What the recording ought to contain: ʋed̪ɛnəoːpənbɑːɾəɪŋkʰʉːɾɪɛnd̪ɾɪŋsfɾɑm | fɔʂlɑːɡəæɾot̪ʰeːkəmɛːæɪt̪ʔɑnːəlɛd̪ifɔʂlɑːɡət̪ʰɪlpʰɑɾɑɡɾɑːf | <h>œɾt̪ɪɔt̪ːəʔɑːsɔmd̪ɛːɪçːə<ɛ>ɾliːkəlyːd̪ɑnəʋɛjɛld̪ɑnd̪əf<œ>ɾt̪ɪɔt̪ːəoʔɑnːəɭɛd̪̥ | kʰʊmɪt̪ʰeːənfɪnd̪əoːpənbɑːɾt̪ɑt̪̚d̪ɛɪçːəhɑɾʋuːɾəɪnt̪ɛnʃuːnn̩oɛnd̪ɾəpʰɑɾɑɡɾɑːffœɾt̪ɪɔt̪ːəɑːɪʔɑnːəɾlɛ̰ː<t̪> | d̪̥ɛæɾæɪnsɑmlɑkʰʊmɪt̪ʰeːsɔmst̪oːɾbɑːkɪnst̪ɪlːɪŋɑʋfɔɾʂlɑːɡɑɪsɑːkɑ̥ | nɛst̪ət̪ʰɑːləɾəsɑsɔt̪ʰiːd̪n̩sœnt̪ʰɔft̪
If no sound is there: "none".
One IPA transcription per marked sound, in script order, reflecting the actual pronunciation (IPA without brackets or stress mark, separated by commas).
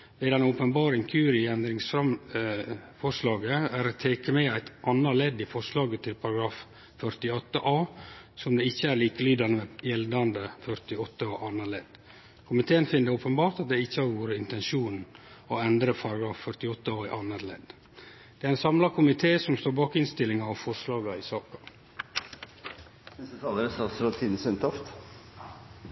f, æ, œ, d̪